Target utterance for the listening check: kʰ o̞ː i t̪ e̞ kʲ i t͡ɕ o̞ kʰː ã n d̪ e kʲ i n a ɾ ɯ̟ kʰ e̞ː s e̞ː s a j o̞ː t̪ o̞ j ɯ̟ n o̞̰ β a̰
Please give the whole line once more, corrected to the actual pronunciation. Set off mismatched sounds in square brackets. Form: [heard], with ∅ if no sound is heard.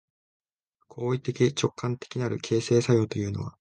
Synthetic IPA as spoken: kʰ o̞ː i t̪ e̞ kʲ i t͡ɕ o̞ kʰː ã n [t̪] e kʲ i n a ɾ ɯ̟ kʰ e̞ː s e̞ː s a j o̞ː t̪ o̞ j [ɯ̟ː] n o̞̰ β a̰